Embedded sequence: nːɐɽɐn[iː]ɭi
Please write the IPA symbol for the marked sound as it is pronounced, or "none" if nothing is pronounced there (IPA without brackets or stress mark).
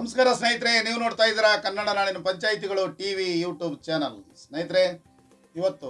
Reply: aː